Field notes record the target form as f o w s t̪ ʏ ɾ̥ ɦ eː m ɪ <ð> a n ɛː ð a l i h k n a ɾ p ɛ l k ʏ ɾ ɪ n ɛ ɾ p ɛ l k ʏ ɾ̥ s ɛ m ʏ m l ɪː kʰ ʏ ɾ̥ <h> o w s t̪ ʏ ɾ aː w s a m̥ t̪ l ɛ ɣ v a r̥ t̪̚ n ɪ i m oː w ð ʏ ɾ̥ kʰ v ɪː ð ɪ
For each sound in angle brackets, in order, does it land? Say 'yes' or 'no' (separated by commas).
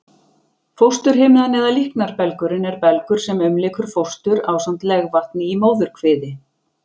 yes, no